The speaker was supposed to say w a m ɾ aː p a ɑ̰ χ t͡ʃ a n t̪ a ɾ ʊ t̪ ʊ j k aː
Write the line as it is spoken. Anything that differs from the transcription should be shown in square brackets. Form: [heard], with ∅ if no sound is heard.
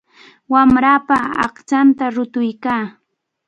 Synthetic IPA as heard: w a m ɾ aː p a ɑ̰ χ t͡ʃ a n t̪ a ɾ ʊ t̪ ʊ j k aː